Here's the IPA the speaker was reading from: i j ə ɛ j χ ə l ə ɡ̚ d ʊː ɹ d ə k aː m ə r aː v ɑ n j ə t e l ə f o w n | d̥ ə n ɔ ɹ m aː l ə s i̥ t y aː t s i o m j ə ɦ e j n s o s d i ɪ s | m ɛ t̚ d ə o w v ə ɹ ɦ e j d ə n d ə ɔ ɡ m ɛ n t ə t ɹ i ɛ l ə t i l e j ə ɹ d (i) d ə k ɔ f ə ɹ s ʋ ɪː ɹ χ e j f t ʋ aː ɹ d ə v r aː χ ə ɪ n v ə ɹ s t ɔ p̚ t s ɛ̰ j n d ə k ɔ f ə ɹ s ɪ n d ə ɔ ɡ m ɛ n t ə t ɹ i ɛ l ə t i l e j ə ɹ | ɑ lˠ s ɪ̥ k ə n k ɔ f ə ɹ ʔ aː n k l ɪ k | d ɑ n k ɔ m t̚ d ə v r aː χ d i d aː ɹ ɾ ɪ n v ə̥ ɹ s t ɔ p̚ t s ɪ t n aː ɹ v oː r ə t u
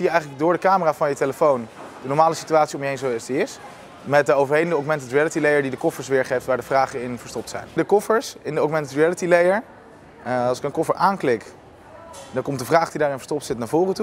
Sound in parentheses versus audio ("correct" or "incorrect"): correct